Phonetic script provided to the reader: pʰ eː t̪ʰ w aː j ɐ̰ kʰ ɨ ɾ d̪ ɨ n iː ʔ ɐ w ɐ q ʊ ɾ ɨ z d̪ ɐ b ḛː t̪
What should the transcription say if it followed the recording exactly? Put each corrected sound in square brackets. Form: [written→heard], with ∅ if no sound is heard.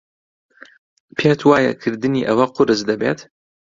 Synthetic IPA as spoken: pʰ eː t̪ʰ w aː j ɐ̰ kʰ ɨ ɾ d̪ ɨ n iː ʔ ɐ w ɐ q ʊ ɾ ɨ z d̪ ɐ b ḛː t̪

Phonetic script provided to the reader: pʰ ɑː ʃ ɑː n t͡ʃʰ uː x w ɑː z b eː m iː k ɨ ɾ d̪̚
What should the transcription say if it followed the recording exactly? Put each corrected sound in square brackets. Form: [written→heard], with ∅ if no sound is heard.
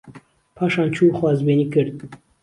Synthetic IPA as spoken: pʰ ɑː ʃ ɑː n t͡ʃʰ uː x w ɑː z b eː [m→n] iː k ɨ ɾ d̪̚

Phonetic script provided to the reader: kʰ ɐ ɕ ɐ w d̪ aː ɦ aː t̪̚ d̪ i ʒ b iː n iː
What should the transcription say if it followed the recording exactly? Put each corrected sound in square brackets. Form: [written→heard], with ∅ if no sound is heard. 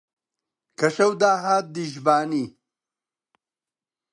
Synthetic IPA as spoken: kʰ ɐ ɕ ɐ w d̪ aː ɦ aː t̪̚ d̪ i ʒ b [iː→aː] n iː

